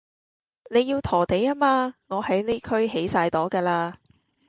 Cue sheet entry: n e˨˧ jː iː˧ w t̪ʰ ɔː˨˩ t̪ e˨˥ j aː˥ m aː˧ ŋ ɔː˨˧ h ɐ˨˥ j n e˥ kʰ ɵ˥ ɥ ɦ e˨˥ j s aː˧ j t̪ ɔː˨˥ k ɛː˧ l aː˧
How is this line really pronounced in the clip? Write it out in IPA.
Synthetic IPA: n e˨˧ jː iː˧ w t̪ʰ ɔː˨˩ t̪ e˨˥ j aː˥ m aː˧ ŋ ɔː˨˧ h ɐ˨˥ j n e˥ kʰ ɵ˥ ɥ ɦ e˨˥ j s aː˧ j t̪ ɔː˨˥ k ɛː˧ l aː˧

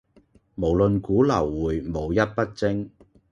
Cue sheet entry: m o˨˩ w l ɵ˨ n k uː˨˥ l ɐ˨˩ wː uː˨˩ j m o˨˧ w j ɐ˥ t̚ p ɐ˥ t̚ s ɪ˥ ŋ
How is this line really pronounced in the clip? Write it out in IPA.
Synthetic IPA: m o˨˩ w l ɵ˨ n k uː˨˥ l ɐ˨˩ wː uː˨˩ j m o˨˧ w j ɐ˥ t̚ p ɐ˥ t̚ t͡s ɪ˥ ŋ

